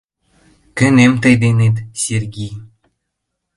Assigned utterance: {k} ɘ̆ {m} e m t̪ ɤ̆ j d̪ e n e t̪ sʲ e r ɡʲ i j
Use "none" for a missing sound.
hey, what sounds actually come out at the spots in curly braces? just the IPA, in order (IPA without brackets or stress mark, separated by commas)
k, n